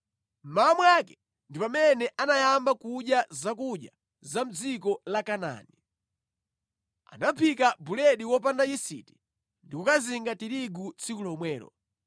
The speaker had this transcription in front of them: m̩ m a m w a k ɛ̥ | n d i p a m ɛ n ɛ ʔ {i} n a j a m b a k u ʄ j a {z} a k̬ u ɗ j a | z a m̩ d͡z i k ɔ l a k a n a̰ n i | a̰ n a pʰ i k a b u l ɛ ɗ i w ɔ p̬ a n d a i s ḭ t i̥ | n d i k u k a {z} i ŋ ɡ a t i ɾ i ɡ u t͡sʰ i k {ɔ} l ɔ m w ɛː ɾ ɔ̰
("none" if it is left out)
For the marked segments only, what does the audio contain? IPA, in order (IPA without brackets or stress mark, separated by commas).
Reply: a, z, z, u